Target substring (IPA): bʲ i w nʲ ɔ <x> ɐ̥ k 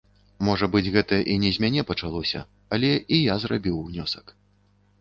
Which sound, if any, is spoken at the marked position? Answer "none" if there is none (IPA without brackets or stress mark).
s